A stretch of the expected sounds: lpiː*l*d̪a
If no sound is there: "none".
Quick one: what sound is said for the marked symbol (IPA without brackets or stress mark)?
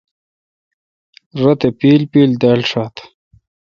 l